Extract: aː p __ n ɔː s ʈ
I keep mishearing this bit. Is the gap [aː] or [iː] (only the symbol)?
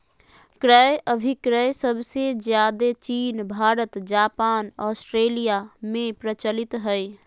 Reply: aː